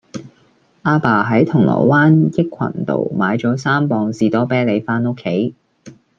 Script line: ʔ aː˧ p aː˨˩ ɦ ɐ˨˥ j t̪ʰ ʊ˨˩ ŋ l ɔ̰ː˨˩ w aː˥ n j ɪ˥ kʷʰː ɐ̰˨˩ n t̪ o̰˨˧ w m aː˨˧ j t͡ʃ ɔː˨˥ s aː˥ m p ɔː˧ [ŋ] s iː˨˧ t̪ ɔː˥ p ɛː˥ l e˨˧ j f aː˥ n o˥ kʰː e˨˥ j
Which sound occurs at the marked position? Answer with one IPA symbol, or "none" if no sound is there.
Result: ŋ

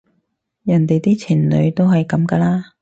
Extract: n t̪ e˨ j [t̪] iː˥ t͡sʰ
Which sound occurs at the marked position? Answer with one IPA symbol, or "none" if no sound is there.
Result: t̪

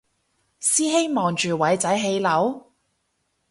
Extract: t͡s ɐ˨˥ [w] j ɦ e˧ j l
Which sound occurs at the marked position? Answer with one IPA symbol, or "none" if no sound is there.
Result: none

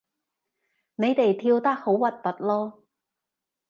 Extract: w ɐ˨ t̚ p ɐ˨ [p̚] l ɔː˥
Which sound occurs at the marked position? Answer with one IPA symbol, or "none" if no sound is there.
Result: t̚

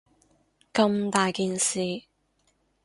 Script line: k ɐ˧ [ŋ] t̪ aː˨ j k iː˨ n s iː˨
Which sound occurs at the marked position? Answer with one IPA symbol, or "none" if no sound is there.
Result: m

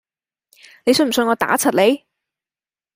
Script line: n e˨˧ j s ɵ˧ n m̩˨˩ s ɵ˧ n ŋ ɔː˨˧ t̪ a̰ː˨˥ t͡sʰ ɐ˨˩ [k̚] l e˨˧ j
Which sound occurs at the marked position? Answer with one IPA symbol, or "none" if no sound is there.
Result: t̚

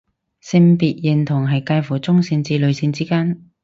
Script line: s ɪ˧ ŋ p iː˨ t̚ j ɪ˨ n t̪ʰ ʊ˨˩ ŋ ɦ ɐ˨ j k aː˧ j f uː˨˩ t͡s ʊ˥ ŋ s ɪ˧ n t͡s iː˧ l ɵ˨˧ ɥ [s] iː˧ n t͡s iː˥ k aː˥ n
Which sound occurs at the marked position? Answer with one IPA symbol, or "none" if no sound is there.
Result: s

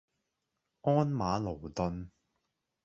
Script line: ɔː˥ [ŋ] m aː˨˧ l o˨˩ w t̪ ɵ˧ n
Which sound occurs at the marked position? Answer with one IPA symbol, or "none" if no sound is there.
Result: n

